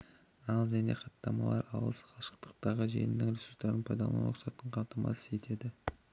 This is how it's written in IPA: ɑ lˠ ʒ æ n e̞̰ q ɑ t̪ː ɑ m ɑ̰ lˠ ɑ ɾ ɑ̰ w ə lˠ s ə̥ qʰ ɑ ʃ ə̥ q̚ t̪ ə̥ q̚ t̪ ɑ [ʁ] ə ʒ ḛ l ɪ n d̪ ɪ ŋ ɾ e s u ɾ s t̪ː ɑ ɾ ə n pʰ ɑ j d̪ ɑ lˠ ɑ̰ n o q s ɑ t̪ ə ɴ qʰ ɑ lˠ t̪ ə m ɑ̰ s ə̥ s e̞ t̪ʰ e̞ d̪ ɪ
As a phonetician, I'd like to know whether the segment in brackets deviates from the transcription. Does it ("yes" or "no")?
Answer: no